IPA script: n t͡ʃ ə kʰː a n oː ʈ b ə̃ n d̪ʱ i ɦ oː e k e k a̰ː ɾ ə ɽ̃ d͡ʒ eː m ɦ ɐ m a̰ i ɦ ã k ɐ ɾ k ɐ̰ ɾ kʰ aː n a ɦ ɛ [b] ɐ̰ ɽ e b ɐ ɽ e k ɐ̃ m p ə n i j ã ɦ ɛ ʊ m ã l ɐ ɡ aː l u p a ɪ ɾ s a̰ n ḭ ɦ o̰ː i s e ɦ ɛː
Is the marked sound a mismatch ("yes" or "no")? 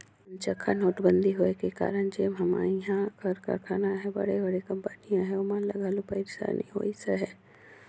no